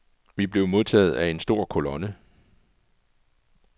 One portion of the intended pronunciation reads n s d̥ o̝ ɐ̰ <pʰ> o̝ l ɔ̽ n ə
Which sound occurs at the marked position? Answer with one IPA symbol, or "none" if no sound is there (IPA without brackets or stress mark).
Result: kʰ